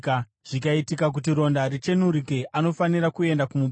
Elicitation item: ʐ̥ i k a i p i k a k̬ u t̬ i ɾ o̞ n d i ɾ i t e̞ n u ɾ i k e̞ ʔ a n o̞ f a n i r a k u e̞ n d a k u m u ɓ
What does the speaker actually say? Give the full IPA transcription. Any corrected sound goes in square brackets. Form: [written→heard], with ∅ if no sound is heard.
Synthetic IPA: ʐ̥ i k a i [p→t] i k a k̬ u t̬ i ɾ o̞ n d [i→a] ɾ i [t→t͡ʃ] e̞ n u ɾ i k e̞ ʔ a n o̞ f a n i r a k u e̞ n d a k u m u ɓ

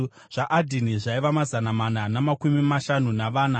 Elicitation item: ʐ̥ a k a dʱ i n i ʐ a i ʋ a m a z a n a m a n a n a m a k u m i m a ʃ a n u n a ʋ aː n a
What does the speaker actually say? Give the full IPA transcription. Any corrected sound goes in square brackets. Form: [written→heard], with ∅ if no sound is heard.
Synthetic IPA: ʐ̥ a [k→ʔ] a dʱ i n i ʐ a i ʋ a m a z a n a m a n a n a m a k u m i m a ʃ a n u n a ʋ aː n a

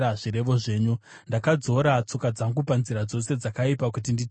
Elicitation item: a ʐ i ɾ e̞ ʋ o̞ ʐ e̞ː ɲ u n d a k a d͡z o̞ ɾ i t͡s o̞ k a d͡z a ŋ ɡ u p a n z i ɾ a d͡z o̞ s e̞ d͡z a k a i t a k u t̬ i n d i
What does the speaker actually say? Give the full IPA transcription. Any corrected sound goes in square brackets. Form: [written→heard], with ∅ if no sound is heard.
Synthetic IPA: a ʐ i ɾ e̞ ʋ o̞ ʐ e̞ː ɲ u n d a k a d͡z o̞ ɾ [i→a] t͡s o̞ k a d͡z a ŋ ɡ u p a n z i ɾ a d͡z o̞ s e̞ d͡z a k a i [t→p] a k u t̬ i n d i

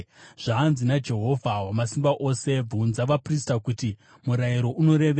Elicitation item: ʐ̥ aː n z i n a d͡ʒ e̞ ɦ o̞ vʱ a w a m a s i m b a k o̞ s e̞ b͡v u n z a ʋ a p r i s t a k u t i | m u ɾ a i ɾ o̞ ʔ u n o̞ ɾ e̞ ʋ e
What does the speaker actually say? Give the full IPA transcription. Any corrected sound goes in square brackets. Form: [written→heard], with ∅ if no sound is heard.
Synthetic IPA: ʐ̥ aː n z i n a d͡ʒ e̞ ɦ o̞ vʱ a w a m a s i m b a [k→ʔ] o̞ s e̞ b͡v u n z a ʋ a p r i s t a k u t i | m u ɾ a i ɾ o̞ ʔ u n o̞ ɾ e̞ ʋ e

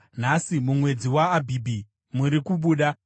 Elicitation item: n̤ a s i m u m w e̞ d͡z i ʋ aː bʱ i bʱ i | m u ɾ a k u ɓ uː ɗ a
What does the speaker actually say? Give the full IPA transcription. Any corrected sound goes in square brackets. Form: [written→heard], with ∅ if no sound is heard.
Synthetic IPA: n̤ a s i m u m w e̞ d͡z i [ʋ→w] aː bʱ i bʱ i | m u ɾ [a→i] k u ɓ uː ɗ a

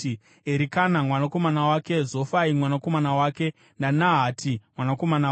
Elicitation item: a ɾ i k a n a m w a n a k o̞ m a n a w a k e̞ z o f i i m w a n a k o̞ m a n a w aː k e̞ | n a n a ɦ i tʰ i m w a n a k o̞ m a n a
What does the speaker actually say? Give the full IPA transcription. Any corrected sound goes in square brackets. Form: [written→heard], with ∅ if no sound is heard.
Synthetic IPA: [a→e] ɾ i k a n a m w a n a k o̞ m a n a w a k e̞ z o f [i→a] i m w a n a k o̞ m a n a w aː k e̞ | n a n a ɦ [i→a] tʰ i m w a n a k o̞ m a n a

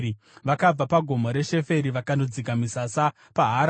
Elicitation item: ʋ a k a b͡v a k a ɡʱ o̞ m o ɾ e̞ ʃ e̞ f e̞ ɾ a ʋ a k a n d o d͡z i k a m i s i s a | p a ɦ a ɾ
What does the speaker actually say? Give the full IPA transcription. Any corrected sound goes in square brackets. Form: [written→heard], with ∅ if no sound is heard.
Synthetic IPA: ʋ a k a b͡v a [k→p] a ɡʱ o̞ m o ɾ e̞ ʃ e̞ f e̞ ɾ [a→i] ʋ a k a n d o d͡z i k a m i s [i→a] s a | p a ɦ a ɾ

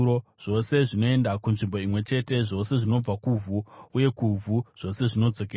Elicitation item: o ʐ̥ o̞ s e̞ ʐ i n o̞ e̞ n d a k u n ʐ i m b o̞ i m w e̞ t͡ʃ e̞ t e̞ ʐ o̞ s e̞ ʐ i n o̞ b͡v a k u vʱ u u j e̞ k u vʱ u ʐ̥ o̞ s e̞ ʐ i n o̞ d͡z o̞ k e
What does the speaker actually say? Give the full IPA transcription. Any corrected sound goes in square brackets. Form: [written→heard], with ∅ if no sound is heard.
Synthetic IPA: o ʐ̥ o̞ s e̞ ʐ i n o̞ e̞ n d a k u n ʐ i m b o̞ i m w e̞ t͡ʃ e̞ t e̞ ʐ o̞ s e̞ ʐ i n o̞ b͡v a k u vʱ u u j e̞ k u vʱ u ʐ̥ o̞ s e̞ ʐ i n o̞ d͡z o̞ k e

